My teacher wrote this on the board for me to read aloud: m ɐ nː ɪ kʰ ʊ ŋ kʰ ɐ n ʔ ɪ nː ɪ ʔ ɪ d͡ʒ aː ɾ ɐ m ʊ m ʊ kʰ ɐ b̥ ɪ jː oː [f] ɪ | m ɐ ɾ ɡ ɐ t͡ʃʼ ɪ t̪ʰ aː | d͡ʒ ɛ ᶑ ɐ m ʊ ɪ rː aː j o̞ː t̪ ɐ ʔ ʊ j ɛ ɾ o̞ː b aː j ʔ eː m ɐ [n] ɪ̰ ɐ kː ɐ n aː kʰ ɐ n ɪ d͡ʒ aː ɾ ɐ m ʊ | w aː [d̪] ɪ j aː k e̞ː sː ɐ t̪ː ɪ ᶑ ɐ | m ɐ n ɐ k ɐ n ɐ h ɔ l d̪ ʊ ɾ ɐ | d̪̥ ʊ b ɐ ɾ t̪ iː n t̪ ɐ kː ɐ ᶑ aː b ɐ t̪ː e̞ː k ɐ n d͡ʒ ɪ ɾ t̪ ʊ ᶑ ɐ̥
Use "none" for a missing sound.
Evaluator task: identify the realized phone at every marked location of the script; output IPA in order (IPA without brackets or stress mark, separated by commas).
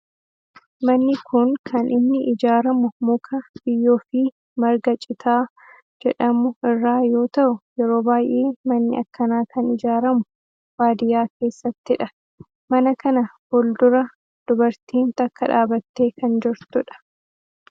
f, nː, d̪